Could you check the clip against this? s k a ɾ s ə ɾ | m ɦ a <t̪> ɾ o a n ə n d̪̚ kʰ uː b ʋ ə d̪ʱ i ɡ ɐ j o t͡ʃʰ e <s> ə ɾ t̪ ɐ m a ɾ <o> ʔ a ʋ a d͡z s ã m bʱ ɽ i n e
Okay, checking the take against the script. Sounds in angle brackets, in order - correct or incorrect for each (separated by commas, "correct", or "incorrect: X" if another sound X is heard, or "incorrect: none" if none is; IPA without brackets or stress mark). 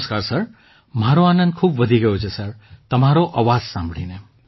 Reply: incorrect: none, correct, correct